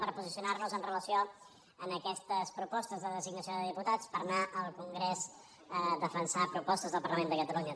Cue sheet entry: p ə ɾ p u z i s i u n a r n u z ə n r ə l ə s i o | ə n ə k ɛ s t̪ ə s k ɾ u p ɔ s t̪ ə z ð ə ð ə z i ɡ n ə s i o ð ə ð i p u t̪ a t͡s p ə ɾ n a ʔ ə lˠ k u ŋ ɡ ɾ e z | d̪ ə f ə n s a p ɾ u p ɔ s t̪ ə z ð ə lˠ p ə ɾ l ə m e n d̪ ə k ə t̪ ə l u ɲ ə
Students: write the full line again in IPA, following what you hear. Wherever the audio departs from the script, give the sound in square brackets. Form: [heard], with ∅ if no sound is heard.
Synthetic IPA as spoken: p ə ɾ p u z i s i u n a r n u z ə n r ə l ə s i o | ə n ə k ɛ s t̪ ə s [p] ɾ u p ɔ s t̪ ə z ð ə ð ə z i ɡ n ə s i o ð ə ð i p u t̪ a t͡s p ə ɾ n a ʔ ə lˠ k u ŋ ɡ ɾ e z | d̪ ə f ə n s a p ɾ u p ɔ s t̪ ə z ð ə lˠ p ə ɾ l ə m e n d̪ ə k ə t̪ ə l u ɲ ə